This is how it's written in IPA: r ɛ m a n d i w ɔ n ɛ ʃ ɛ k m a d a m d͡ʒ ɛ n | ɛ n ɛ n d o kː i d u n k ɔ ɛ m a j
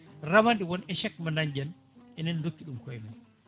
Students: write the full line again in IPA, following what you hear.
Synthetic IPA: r a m a n d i w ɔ n ɛ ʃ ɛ k m a n a ɲ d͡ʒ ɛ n | ɛ n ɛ n d o kː i ɗ u m k ɔ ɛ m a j